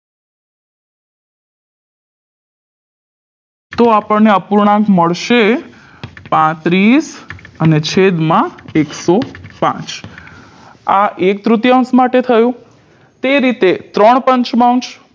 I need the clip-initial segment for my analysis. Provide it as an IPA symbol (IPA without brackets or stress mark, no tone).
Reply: t̪